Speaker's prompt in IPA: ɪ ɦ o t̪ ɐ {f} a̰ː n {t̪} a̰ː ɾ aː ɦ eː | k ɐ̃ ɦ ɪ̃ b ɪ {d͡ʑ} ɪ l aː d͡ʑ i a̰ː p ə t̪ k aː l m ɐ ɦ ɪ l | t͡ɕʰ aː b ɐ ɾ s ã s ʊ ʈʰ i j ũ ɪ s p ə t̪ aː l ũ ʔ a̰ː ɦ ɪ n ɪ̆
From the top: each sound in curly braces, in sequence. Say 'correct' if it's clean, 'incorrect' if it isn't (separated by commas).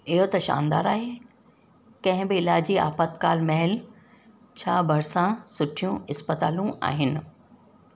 incorrect, incorrect, incorrect